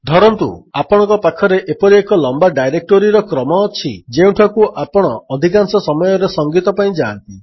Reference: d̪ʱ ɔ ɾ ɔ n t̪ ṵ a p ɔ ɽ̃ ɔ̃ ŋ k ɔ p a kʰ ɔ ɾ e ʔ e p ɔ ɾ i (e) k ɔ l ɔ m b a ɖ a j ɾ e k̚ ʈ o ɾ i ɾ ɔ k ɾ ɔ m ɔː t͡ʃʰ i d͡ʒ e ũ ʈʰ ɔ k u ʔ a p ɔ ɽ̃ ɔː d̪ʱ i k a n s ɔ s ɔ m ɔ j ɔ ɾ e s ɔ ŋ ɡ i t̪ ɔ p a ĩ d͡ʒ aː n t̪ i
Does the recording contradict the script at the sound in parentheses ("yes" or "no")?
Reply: no